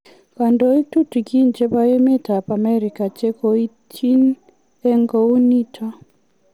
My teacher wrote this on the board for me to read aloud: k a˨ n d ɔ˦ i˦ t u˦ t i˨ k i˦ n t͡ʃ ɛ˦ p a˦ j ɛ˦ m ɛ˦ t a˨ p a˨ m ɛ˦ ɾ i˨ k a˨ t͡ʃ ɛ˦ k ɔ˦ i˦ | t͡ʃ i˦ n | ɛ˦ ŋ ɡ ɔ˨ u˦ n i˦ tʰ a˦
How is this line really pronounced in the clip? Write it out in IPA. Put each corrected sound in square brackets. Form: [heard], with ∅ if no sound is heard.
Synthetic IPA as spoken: k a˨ n d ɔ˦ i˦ t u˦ t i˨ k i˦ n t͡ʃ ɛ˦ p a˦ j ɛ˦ m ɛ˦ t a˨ p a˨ m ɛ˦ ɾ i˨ k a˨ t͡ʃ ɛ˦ k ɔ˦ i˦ | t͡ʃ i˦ n | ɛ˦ ŋ ɡ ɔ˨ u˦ n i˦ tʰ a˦

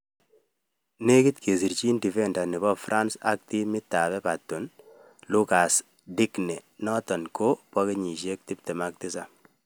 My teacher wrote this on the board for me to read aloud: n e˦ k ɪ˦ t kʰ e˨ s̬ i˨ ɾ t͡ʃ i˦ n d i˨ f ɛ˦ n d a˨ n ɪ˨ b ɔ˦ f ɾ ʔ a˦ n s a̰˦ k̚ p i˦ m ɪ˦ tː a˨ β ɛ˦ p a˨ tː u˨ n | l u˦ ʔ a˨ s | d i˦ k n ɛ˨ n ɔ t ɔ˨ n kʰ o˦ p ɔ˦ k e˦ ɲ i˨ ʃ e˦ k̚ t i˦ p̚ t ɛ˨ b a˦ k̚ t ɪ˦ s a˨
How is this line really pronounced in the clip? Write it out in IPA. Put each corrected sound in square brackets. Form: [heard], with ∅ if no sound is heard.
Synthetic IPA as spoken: n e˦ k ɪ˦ t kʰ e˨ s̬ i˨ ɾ t͡ʃ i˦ n d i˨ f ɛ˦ n d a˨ n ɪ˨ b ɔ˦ f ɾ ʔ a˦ n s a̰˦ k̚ [t] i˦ m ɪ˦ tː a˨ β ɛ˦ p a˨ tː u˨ n | l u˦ [k] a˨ s | d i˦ k n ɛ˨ n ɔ t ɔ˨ n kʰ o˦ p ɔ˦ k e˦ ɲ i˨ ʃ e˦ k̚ t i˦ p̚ t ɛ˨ [m] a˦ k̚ t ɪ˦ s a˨

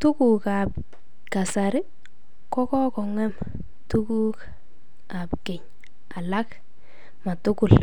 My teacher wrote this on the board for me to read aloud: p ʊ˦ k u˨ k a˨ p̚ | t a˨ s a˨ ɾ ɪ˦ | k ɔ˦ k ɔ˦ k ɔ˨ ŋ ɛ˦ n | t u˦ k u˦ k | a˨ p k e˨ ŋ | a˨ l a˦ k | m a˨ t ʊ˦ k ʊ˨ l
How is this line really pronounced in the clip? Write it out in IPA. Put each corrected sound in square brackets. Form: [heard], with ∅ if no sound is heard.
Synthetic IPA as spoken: [t] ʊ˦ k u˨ k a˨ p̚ | [k] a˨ s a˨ ɾ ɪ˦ | k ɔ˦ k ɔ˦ k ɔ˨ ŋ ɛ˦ [m] | t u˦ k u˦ k | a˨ p k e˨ [ɲ] | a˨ l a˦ k | m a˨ t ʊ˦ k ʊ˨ l

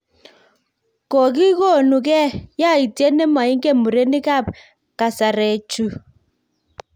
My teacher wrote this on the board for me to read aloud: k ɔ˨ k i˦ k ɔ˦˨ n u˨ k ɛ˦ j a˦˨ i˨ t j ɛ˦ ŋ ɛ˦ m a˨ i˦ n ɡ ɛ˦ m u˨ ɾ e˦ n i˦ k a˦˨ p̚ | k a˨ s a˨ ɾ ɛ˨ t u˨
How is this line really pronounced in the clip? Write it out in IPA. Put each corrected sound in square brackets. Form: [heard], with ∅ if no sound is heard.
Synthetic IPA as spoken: k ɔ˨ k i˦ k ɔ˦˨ n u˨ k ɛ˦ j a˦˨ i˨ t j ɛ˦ [n] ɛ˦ m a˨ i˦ [ŋ] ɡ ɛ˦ m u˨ ɾ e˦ n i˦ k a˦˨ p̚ | k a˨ s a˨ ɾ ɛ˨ [t͡ʃ] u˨

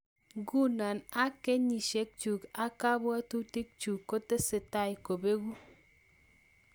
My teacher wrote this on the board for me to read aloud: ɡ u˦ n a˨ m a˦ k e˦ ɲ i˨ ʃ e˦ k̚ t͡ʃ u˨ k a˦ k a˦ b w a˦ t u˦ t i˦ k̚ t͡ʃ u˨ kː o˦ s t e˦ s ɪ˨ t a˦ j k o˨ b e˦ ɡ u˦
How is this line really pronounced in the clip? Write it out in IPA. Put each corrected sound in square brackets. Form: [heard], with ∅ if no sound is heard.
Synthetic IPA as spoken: ɡ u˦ n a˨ [n] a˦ k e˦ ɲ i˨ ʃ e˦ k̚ t͡ʃ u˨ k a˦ k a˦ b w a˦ t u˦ t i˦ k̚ t͡ʃ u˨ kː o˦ [∅] t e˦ s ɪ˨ t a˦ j k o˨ b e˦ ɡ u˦

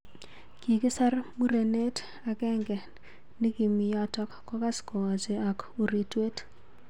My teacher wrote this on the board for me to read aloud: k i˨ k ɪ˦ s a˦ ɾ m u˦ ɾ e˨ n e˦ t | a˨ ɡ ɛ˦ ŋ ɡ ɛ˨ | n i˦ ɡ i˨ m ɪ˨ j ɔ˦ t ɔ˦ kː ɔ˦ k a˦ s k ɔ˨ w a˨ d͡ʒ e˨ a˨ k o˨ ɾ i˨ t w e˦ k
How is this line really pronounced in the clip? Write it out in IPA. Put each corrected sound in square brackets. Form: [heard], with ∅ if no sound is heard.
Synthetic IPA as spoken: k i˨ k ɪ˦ s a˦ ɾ m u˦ ɾ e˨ n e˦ t | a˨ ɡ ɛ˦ ŋ ɡ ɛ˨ | n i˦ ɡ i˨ m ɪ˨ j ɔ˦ t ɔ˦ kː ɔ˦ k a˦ s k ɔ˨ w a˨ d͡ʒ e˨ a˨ k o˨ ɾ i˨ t w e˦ [t]

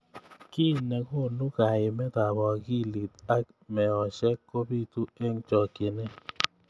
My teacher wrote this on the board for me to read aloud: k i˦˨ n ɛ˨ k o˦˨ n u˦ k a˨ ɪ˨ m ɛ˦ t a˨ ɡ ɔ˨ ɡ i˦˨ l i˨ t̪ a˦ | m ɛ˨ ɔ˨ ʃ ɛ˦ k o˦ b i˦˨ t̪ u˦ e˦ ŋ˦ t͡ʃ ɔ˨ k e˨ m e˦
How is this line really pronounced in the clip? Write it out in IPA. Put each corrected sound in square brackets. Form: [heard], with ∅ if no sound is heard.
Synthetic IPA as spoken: k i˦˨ n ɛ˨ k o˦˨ n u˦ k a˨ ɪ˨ m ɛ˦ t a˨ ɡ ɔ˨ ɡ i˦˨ l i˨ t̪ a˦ | m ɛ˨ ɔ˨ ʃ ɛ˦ k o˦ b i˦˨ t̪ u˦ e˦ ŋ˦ t͡ʃ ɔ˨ k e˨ [n] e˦

